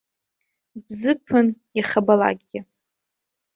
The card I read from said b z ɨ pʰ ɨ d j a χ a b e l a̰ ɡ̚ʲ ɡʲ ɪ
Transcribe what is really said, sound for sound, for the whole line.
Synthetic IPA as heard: b z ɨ pʰ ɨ n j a χ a b a l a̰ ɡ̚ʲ ɡʲ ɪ